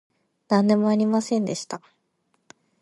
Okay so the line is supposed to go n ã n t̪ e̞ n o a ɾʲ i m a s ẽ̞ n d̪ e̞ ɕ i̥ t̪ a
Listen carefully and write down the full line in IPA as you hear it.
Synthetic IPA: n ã n d̪ e̞ m o a ɾʲ i m a s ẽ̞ n d̪ e̞ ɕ i̥ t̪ a